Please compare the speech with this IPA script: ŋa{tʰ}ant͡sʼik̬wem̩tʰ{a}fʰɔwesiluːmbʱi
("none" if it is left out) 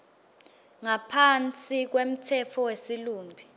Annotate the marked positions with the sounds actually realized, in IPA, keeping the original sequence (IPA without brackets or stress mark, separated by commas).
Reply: pʰ, ɛ